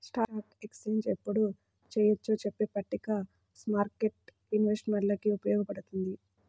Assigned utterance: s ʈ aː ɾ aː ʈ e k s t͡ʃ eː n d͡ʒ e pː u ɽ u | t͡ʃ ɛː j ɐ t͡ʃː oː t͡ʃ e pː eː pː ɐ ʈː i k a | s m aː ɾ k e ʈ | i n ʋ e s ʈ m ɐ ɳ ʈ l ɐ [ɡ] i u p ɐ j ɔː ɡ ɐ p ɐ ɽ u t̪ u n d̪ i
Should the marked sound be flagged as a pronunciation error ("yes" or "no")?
yes